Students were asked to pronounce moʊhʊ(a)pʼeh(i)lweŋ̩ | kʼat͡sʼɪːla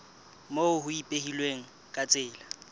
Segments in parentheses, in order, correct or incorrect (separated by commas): incorrect, correct